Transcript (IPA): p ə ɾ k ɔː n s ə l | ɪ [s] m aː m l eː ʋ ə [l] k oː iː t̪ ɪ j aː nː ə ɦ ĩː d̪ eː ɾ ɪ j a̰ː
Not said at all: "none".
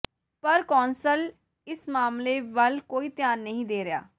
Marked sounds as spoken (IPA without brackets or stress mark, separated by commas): s, l